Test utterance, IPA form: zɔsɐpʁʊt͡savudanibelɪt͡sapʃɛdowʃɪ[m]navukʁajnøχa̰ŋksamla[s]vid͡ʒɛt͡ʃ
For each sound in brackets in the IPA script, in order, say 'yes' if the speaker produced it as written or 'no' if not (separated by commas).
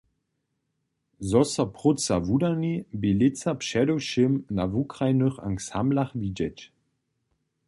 yes, no